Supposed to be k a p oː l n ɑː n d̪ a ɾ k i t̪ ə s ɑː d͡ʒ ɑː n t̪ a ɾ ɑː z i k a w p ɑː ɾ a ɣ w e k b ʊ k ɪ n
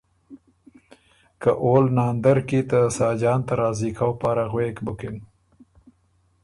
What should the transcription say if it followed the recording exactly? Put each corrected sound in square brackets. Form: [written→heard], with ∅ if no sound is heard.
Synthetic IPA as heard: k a [p→ʔ] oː l n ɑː n d̪ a ɾ k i t̪ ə s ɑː d͡ʒ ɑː n t̪ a ɾ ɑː z i k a w p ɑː ɾ a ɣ w e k b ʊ k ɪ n